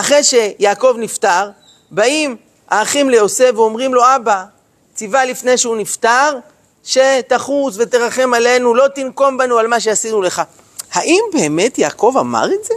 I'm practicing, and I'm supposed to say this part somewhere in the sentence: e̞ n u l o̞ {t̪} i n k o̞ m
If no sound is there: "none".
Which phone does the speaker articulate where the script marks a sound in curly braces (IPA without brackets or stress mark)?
t̪